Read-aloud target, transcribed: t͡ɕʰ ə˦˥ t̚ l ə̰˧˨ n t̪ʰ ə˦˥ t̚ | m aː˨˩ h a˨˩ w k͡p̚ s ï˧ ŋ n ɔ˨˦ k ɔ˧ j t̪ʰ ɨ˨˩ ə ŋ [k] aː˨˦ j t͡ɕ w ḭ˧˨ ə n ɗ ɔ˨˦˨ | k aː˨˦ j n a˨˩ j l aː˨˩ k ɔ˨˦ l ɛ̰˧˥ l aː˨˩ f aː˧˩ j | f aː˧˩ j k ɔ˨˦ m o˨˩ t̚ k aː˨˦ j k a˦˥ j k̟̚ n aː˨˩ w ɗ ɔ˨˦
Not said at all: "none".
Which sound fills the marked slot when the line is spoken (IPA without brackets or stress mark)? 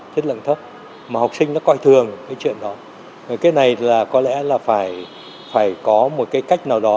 k